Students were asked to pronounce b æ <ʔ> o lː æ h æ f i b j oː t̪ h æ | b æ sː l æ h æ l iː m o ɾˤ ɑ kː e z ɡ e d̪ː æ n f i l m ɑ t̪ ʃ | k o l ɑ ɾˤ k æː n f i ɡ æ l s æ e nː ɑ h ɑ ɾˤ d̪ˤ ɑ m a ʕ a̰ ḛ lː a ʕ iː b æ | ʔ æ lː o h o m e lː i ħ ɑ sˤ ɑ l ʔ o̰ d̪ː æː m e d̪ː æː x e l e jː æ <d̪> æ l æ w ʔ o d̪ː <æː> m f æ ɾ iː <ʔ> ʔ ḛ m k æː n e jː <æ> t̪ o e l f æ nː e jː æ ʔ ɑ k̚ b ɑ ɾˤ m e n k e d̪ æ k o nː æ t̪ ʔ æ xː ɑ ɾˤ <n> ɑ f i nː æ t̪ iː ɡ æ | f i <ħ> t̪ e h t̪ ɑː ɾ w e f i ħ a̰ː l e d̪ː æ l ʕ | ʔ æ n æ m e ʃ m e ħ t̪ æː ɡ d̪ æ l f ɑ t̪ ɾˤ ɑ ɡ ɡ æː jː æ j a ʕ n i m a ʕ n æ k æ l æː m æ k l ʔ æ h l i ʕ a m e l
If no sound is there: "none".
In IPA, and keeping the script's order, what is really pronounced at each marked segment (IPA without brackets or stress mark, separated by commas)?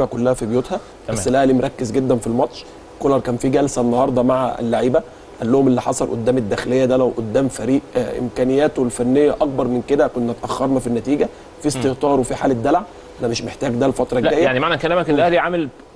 k, d̪, æː, ʔ, æː, n, s